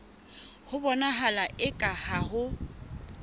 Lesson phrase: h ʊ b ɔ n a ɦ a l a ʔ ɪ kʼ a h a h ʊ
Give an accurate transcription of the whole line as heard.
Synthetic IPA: h ʊ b ɔ n a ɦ a l a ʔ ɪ kʼ a h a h ʊ